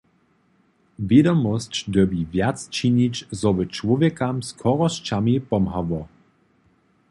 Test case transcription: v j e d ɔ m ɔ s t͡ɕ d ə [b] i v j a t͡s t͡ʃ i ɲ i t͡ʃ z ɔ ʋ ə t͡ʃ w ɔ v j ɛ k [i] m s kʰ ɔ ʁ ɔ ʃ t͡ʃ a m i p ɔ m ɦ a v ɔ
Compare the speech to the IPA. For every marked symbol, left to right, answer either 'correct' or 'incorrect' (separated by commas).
correct, incorrect